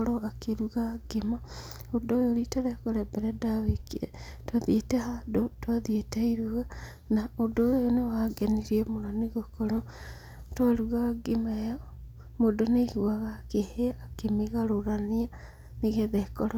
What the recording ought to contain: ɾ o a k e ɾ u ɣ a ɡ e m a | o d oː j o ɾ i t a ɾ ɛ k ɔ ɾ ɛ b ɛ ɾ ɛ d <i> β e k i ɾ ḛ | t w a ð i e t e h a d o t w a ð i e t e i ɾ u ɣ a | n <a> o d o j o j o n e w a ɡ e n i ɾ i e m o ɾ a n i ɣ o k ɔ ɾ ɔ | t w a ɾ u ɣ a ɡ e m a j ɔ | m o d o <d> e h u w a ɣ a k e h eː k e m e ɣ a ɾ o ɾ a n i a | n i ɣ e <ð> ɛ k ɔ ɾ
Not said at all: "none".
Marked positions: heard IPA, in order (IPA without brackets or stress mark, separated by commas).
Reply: a, a, n, ð